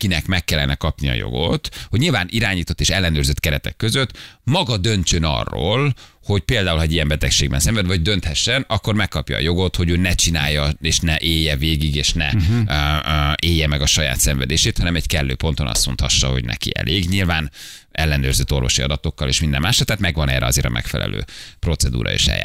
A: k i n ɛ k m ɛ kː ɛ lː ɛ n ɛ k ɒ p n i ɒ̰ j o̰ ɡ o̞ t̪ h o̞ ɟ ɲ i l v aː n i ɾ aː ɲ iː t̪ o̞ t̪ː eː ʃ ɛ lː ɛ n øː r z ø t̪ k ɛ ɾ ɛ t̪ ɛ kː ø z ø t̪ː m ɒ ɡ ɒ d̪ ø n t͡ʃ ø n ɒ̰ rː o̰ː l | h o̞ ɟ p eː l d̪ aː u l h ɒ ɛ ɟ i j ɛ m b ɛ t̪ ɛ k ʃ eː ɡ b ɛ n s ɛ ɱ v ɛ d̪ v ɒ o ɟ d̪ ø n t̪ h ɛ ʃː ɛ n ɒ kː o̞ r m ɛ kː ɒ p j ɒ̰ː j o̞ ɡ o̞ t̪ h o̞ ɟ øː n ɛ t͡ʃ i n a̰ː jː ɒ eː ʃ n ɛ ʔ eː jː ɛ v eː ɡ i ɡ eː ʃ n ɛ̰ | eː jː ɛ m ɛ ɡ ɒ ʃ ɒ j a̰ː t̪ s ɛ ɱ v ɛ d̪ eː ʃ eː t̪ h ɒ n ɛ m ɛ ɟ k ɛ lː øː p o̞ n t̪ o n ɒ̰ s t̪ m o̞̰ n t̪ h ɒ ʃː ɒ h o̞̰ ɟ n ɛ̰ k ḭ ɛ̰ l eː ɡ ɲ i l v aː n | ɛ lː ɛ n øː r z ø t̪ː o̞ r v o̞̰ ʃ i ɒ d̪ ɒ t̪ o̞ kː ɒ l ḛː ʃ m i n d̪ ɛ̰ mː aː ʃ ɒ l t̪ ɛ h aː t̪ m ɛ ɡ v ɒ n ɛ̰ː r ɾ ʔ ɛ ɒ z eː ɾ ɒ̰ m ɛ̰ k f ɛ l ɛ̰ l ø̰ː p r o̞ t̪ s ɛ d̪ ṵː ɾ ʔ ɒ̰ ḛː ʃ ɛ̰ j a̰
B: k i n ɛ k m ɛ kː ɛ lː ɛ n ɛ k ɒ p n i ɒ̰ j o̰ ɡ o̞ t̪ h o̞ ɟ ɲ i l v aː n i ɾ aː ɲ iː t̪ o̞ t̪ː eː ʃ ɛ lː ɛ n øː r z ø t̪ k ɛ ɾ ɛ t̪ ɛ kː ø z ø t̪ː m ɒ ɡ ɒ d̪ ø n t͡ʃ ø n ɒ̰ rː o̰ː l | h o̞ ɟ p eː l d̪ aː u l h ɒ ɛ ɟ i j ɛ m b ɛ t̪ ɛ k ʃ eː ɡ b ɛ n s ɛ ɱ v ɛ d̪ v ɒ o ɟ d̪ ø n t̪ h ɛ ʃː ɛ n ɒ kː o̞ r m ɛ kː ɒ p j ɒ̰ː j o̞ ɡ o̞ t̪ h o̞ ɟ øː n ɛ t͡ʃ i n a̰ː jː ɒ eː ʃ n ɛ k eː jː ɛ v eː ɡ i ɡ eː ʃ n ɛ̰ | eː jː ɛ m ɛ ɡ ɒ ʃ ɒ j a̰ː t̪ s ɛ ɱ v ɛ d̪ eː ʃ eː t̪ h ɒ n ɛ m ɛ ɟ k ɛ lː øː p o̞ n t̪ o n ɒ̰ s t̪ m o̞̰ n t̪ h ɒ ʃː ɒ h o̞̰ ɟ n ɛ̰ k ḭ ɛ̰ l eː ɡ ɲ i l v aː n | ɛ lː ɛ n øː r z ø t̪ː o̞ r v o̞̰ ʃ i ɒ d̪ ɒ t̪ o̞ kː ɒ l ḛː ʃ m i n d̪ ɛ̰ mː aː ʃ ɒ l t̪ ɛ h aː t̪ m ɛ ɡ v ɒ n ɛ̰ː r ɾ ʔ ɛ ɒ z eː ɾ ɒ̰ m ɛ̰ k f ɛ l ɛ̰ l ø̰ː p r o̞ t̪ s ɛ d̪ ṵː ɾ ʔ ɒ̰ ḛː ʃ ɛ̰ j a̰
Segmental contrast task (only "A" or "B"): A